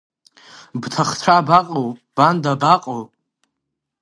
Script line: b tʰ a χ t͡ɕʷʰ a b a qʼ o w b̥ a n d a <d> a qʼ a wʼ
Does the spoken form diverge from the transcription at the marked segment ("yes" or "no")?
yes